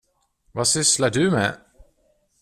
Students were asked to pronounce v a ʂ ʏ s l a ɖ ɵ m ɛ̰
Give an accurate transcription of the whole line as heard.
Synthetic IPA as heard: v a s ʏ s l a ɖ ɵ m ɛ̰